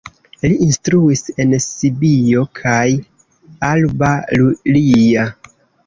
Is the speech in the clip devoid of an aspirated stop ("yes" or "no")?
no